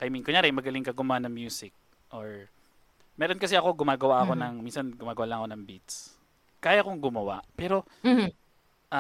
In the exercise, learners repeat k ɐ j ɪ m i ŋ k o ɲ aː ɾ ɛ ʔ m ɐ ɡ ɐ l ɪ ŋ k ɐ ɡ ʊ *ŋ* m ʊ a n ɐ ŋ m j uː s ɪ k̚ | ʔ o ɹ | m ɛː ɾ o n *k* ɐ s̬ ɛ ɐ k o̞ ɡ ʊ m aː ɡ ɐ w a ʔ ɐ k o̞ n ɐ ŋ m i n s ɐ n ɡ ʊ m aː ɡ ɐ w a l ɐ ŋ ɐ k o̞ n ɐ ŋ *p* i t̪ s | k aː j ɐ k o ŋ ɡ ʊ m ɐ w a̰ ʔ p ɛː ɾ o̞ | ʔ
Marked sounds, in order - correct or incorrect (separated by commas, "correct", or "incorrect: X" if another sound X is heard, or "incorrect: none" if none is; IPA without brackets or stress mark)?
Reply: incorrect: none, correct, incorrect: b